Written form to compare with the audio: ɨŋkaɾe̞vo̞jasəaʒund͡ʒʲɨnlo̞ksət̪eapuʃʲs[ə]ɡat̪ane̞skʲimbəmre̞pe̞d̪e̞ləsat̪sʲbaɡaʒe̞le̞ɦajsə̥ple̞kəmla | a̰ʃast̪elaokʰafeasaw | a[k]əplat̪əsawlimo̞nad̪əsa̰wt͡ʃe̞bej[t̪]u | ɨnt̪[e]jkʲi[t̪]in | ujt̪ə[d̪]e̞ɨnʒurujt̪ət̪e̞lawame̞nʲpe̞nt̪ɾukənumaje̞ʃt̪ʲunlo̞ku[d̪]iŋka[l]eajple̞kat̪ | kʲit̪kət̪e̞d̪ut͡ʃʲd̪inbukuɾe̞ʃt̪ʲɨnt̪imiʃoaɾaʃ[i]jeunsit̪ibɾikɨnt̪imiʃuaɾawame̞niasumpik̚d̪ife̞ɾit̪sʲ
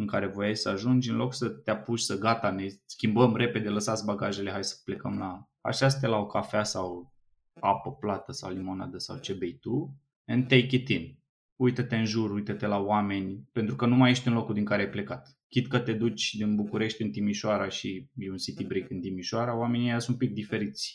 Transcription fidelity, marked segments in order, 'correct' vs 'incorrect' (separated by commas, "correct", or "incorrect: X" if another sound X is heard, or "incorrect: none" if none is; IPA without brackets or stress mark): correct, incorrect: p, correct, correct, correct, incorrect: t̪, correct, incorrect: ɾ, correct